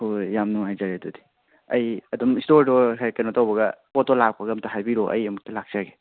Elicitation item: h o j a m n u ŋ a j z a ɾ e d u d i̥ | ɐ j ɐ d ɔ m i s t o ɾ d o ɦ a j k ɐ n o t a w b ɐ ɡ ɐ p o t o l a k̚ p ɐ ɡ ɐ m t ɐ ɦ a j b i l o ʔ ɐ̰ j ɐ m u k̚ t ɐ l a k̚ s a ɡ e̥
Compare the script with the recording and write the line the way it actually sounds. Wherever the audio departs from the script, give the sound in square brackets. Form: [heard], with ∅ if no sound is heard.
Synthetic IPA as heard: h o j a m n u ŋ a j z a ɾ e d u d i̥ | ɐ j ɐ d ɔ m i s t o ɾ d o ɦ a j k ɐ n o t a w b ɐ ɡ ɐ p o t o l a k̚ p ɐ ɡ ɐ m t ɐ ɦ a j b i [ɾ] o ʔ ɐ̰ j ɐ m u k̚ t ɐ l a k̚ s a ɡ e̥

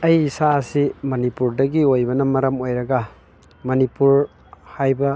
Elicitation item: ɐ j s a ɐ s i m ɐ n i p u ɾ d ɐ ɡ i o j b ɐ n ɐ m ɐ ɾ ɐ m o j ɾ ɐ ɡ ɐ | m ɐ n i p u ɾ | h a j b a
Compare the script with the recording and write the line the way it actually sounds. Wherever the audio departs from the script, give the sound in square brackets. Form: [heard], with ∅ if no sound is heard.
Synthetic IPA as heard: ɐ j s a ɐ s i m ɐ n i p u ɾ d ɐ ɡ i o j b ɐ n ɐ m ɐ ɾ ɐ m o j ɾ ɐ ɡ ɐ | m ɐ n i p u ɾ | h a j b [ɐ]

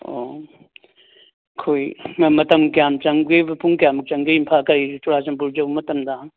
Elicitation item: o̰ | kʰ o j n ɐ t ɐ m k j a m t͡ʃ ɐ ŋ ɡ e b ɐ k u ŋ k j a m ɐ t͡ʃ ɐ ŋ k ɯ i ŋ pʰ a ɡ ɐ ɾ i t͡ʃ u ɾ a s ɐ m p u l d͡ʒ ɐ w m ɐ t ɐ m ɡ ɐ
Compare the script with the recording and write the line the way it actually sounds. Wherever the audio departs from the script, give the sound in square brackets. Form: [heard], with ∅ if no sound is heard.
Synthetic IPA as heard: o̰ | kʰ o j [m] ɐ t ɐ m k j a m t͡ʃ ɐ ŋ ɡ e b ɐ [p] u ŋ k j a m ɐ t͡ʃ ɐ ŋ [ɡ] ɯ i [m] pʰ a [k] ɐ ɾ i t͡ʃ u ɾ a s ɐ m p u [ɾ] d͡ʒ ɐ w m ɐ t ɐ m [d] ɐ

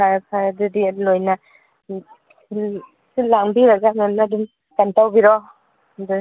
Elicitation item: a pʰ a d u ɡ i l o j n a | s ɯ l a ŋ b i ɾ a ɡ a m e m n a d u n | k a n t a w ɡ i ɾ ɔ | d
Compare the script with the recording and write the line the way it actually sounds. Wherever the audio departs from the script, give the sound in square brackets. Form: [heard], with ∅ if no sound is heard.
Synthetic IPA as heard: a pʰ a d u [d] i l o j n a | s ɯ l a ŋ b i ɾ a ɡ a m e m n a d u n | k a n t a w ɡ i ɾ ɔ | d

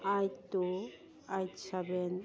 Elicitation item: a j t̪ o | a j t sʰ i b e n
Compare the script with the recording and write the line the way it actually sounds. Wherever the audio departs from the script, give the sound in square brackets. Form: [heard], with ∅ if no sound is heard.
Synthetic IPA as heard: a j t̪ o | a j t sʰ [a] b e n

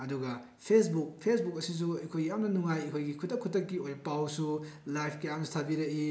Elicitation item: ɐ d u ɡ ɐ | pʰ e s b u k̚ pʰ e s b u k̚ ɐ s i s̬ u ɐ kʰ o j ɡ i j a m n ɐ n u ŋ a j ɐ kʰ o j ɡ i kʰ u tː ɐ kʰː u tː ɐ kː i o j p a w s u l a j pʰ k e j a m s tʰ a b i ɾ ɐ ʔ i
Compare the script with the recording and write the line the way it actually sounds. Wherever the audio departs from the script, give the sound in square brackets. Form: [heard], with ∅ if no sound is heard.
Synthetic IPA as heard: ɐ d u ɡ ɐ | pʰ e s b u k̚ pʰ e s b u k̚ ɐ s i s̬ u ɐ kʰ o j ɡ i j a m n ɐ n u ŋ a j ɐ kʰ o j ɡ i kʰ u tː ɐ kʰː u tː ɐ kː i o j p a w s u l a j pʰ k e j a m s tʰ a b i ɾ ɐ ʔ i

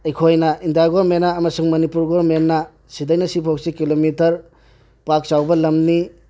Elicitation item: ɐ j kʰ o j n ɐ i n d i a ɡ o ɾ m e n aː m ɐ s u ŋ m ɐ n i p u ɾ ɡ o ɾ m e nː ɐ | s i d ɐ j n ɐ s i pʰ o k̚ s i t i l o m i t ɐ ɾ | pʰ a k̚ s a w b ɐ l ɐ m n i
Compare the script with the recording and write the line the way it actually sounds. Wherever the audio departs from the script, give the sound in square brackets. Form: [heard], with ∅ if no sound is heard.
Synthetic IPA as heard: ɐ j kʰ o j n ɐ i n d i a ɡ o ɾ m e n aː m ɐ s u ŋ m ɐ n i p u ɾ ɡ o ɾ m e nː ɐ | s i d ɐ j n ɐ s i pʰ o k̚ s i [k] i l o m i t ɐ ɾ | [p] a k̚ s a w b ɐ l ɐ m n i

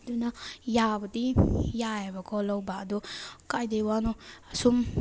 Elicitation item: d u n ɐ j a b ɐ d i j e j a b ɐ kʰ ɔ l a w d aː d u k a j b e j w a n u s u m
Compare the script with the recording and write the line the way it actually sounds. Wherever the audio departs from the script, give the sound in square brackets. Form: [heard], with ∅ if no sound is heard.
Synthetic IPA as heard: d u n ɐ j a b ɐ d i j [a] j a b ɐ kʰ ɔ l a w [b] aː d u k a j [d] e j w a n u s u m

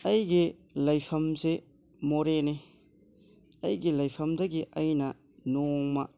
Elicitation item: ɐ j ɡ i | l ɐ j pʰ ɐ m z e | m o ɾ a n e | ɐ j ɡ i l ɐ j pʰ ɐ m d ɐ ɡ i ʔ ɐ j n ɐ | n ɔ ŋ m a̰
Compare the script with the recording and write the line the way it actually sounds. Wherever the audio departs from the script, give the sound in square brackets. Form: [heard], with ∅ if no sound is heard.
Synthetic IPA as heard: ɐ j ɡ i | l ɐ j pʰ ɐ m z e | m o ɾ [e] n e | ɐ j ɡ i l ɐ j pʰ ɐ m d ɐ ɡ i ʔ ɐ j n ɐ | n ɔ ŋ m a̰

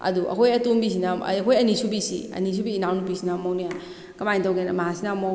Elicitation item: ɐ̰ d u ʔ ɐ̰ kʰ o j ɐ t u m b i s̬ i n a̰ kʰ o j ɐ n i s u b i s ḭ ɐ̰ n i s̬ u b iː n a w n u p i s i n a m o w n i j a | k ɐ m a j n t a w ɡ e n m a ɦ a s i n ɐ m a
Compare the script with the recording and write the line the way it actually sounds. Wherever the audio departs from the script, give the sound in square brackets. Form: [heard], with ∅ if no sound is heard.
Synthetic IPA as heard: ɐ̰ d u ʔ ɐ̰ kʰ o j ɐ t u m b i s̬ i n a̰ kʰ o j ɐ n i s u b i s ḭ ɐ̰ n i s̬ u b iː n a w n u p i s i n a m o w n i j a | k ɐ m a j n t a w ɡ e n m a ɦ a s i n [a] m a

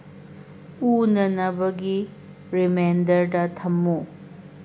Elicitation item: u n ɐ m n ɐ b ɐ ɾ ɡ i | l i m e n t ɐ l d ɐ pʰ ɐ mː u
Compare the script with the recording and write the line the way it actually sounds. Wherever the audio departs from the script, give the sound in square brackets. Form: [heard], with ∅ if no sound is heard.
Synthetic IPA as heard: u n ɐ [∅] n ɐ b ɐ [∅] ɡ i | [ɾ] i m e n [d] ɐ [ɾ] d ɐ [tʰ] ɐ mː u

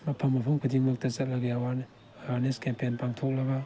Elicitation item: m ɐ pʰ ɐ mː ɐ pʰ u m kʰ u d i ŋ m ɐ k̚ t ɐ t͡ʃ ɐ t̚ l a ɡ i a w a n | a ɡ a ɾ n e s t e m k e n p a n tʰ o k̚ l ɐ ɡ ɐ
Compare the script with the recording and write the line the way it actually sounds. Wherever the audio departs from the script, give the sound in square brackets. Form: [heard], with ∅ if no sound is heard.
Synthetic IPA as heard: m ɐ pʰ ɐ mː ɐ pʰ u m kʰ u d i ŋ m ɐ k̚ t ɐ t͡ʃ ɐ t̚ l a ɡ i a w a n | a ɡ a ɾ n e s [k] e m [p] e n p a [ŋ] tʰ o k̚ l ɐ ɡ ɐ

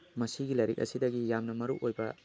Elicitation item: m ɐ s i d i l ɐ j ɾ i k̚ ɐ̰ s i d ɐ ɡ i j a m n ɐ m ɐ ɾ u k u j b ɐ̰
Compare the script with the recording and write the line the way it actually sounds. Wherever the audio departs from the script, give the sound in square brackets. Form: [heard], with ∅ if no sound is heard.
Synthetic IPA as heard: m ɐ s i [ɡ] i l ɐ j ɾ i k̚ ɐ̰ s i d ɐ ɡ i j a m n ɐ m ɐ ɾ u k [o] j b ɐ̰

